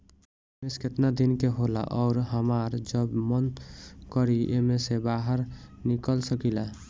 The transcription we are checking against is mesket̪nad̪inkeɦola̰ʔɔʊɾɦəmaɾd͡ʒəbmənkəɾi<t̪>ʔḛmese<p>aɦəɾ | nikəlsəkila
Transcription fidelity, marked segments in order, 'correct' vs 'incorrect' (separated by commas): incorrect, incorrect